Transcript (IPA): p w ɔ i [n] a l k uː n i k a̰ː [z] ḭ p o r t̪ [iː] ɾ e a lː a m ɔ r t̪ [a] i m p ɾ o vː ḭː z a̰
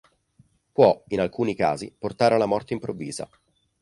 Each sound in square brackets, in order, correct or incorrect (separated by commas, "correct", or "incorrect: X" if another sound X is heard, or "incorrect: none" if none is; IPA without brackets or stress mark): correct, correct, incorrect: aː, incorrect: e